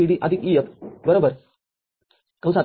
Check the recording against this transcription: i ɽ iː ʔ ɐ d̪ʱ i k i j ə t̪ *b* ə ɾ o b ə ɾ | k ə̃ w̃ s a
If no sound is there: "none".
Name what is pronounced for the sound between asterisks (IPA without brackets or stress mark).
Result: b